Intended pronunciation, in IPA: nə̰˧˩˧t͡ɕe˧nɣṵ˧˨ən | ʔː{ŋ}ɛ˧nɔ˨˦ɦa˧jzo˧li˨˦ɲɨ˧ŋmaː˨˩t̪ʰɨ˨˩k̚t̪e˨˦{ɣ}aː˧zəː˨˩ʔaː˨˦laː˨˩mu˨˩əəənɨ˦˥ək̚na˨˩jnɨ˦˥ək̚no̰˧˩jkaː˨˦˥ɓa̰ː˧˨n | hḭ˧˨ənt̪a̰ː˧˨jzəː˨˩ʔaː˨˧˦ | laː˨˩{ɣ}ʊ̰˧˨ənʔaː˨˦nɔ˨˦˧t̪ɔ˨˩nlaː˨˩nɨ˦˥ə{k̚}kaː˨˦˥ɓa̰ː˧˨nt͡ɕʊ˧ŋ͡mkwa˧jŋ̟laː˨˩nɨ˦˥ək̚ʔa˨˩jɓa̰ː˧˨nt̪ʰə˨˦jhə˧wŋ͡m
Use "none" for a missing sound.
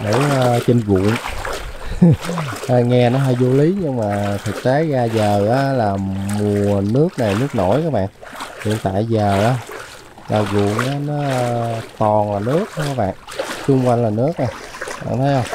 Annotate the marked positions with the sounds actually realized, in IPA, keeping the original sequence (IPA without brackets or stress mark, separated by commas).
ŋ, ɣ, ɣ, k̚